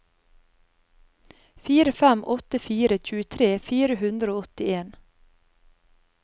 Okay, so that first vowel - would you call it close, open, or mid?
close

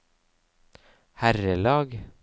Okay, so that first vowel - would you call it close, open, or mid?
open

